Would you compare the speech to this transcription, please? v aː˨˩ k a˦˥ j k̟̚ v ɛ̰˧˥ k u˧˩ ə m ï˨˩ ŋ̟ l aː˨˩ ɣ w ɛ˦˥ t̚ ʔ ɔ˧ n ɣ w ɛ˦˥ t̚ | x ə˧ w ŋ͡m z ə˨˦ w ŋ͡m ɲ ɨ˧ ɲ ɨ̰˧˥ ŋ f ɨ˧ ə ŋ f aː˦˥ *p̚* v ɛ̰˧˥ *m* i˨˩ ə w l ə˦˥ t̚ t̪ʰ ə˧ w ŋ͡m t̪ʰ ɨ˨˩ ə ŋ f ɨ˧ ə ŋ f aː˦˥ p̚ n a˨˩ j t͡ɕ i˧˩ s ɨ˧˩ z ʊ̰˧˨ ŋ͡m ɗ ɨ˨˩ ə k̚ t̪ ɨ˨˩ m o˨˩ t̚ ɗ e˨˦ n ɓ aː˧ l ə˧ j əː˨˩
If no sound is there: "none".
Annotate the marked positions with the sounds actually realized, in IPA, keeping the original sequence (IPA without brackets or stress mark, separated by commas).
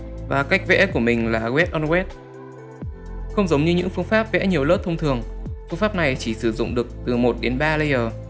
p̚, ɲ